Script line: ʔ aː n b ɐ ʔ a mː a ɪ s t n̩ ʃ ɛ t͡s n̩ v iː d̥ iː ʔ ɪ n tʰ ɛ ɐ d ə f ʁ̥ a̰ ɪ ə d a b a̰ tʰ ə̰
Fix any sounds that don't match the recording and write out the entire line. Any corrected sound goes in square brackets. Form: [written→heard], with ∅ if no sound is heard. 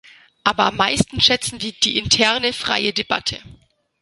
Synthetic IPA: ʔ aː [n→∅] b ɐ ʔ a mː a ɪ s t n̩ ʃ ɛ t͡s n̩ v iː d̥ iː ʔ ɪ n tʰ ɛ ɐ [d→n] ə f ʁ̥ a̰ ɪ ə d [a→e] b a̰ tʰ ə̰